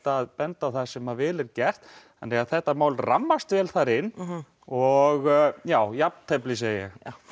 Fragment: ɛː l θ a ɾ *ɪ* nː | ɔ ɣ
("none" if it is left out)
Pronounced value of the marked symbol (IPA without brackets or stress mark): ɪ